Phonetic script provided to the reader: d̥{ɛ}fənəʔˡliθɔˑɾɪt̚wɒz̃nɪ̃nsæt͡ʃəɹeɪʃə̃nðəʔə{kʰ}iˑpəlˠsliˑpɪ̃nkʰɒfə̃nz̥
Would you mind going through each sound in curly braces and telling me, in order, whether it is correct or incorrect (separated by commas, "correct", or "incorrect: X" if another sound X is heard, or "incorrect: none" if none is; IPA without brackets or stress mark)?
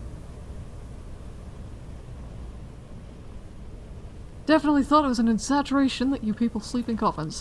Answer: correct, incorrect: pʰ